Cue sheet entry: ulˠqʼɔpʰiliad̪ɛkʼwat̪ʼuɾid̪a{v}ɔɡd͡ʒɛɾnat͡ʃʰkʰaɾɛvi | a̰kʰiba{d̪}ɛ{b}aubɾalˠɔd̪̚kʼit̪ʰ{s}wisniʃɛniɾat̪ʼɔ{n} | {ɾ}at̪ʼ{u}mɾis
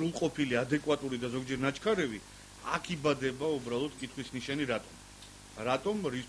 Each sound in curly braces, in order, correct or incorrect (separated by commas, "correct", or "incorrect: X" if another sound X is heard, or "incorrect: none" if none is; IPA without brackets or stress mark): incorrect: z, correct, correct, incorrect: χ, incorrect: m, correct, incorrect: ɔ